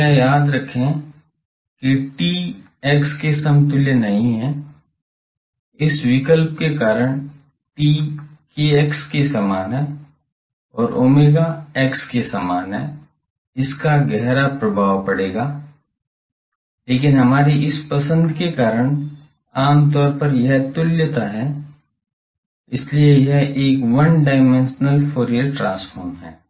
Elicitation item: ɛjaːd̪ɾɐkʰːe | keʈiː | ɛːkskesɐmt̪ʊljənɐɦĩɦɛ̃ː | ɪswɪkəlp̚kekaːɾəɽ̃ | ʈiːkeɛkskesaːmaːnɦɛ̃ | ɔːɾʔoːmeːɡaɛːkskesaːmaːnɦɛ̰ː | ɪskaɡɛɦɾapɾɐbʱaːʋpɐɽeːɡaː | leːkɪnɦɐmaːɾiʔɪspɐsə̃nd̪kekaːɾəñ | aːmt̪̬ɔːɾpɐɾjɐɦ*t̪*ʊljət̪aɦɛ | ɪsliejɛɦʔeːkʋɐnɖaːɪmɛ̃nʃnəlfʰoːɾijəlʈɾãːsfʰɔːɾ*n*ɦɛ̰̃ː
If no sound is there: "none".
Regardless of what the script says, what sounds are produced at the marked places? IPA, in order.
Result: t̪, m

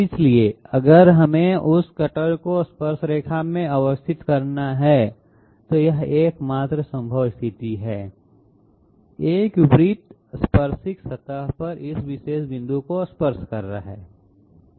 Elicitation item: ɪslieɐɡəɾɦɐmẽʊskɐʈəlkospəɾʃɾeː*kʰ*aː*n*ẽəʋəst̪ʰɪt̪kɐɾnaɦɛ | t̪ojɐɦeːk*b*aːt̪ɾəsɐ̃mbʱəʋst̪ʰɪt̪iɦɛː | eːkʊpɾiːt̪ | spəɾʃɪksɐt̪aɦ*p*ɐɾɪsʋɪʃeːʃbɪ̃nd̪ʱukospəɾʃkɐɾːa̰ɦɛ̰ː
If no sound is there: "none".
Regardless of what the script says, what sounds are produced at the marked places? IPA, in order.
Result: kʰ, m, m, p

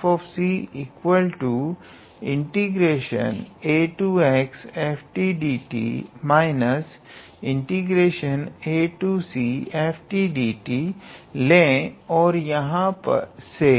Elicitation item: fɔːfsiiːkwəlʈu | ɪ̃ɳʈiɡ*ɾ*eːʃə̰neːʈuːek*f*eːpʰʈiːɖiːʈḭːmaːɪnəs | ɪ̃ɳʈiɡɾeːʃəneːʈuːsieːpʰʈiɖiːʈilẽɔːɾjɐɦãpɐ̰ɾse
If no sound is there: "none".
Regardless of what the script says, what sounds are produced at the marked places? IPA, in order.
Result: ɾ, s

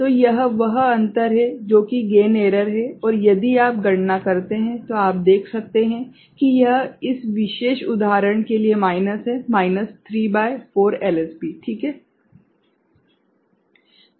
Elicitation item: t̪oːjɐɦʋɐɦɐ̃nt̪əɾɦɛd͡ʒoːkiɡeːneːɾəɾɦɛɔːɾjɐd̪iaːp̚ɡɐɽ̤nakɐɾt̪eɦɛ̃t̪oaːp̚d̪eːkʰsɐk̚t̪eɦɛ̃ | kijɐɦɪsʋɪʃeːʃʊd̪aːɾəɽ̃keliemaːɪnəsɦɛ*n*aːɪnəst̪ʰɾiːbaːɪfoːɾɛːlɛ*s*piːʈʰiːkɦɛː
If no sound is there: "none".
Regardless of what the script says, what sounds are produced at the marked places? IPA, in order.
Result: m, s

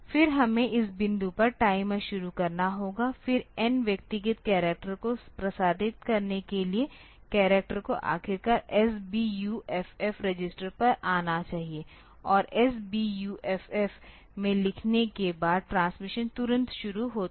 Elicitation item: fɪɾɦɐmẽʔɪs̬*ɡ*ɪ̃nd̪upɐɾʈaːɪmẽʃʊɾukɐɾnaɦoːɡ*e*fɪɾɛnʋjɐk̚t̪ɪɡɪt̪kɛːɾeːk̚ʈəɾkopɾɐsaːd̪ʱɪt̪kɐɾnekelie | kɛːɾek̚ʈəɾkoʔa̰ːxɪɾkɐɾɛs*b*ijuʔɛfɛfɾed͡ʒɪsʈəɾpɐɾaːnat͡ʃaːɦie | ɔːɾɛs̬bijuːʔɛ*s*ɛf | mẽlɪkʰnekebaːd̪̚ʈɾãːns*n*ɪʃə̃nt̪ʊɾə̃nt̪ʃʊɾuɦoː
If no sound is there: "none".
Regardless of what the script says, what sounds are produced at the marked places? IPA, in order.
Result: b, a, b, f, m

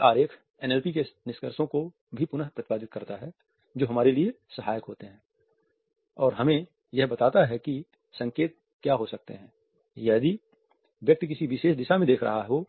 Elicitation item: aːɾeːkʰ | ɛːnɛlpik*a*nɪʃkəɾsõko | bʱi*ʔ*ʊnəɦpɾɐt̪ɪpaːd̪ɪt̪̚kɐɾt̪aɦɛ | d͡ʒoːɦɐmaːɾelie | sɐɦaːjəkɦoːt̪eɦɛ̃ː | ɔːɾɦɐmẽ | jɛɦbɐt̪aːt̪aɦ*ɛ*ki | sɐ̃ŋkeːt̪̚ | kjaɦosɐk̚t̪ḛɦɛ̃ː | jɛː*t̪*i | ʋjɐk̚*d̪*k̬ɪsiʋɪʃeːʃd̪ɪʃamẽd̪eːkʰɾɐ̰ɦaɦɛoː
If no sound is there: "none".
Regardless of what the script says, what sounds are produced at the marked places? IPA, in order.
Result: e, p, ɛ, d̪, t̪

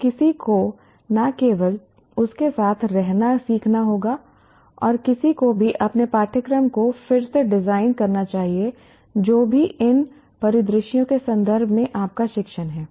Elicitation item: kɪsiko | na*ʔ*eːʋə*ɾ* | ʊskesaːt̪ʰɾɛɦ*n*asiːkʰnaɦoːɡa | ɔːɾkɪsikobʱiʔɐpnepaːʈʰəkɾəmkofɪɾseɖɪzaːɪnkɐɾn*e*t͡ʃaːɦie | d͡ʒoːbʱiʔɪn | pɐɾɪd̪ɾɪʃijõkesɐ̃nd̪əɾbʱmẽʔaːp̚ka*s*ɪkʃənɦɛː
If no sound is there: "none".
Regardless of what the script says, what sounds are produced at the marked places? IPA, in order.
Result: k, l, n, a, ʃ

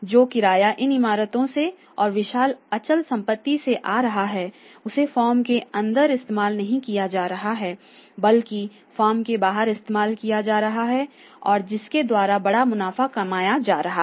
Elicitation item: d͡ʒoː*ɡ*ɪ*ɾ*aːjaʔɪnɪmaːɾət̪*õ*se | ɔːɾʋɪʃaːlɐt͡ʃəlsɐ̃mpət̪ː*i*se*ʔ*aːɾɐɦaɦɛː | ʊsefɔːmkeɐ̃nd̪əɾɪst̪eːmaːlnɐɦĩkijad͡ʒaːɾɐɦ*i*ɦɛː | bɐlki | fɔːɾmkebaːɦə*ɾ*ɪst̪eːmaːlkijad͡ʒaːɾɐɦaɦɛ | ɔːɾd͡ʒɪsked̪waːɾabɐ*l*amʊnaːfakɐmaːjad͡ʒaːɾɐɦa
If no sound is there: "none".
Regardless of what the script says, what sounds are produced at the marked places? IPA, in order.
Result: k, ɾ, õ, i, ʔ, a, ɾ, ɽ

